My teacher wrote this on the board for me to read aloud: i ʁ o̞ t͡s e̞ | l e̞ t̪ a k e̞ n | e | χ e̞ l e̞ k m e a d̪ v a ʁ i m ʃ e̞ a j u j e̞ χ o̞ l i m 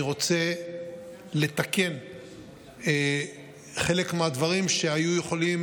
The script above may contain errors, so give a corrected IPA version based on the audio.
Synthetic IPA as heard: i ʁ o̞ t͡s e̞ | l e̞ t̪ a k e̞ n | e | χ e̞ l e̞ k m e a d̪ v a ʁ i m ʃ e̞ a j u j e̞ χ o̞ l i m